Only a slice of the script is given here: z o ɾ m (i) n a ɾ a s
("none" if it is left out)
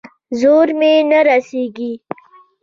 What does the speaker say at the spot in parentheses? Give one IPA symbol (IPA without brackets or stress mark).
e